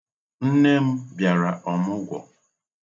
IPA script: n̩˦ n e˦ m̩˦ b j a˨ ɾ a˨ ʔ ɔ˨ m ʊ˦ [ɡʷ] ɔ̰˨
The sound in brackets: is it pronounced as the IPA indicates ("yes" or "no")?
yes